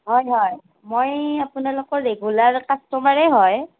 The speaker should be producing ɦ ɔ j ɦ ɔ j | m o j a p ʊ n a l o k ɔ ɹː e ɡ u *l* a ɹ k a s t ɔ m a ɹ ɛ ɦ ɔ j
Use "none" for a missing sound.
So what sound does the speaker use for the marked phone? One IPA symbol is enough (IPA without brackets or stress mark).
l